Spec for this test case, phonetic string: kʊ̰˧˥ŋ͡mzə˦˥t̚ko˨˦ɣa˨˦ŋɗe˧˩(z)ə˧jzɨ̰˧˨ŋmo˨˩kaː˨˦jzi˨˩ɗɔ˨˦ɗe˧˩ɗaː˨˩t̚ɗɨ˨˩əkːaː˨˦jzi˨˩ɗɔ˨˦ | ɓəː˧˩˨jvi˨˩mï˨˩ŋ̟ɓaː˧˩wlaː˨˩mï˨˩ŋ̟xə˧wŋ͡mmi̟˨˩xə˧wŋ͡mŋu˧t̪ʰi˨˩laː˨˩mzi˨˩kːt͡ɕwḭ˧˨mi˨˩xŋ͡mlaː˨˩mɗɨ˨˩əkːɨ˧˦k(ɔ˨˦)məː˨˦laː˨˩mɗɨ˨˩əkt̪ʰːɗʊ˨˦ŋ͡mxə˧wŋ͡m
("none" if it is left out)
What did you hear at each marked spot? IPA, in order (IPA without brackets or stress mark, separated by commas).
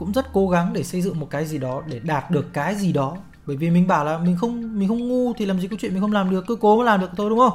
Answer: s, o˨˦